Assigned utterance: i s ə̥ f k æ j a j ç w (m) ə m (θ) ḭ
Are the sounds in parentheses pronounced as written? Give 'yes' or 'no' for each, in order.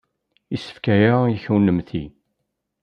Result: no, yes

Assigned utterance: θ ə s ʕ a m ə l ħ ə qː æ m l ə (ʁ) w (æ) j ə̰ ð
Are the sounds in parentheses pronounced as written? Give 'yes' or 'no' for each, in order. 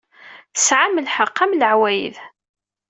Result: no, yes

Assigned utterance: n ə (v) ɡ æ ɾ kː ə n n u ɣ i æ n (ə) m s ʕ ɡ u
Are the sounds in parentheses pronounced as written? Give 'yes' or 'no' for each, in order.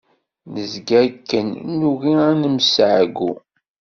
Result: no, yes

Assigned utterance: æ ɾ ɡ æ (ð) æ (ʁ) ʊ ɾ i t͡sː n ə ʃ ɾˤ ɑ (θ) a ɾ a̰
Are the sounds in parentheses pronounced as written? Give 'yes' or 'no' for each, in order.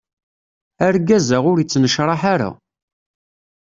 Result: no, yes, no

